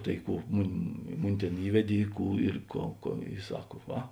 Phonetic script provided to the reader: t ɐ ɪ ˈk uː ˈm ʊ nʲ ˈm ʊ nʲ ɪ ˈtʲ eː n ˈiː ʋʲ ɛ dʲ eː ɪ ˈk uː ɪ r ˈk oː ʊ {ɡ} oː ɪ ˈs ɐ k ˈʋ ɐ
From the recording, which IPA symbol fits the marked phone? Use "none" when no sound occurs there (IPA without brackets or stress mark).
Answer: k